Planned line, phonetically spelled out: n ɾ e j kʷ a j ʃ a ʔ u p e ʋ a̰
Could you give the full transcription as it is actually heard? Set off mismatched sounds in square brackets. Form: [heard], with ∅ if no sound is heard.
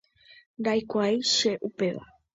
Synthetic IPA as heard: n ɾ [a] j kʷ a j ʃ [e] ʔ u p e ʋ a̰